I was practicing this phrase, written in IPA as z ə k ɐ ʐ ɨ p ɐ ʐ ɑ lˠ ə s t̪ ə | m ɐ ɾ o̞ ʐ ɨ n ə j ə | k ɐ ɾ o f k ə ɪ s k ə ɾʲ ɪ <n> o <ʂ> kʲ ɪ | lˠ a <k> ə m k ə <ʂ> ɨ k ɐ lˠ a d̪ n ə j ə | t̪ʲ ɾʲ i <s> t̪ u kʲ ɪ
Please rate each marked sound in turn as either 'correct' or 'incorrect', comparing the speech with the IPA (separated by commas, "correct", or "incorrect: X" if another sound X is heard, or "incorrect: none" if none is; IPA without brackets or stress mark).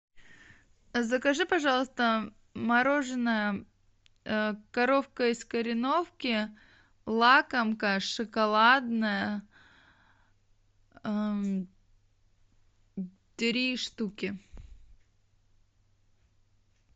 correct, incorrect: f, correct, correct, incorrect: ʂ